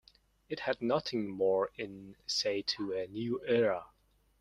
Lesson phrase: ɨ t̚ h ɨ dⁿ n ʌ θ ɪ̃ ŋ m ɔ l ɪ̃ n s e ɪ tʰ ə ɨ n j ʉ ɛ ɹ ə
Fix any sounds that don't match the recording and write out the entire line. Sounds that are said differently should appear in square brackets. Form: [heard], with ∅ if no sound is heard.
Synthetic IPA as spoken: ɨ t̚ h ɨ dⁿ n ʌ θ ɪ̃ ŋ m ɔ [ɹ] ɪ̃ n s e ɪ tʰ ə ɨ n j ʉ ɛ ɹ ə